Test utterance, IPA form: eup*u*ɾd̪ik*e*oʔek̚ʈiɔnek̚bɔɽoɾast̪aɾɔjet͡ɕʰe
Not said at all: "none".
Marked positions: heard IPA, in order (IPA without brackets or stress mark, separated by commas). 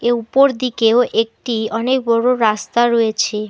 o, e